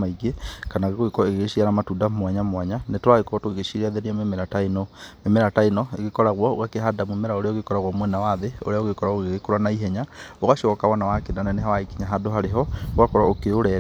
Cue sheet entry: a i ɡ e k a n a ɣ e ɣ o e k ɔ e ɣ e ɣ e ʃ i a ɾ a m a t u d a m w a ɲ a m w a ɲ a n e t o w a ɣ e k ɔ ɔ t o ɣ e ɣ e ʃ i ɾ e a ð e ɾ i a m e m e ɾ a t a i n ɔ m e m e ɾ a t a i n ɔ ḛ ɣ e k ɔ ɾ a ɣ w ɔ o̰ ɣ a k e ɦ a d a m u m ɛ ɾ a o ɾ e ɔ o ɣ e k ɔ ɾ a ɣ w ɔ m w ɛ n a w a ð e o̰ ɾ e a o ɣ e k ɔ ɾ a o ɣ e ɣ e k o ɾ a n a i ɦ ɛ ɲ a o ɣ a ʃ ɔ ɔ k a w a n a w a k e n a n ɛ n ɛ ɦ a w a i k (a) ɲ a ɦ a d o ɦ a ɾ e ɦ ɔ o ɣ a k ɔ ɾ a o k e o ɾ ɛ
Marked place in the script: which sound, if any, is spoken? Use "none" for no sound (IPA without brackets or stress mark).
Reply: i